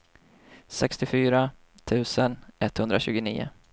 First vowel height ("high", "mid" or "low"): mid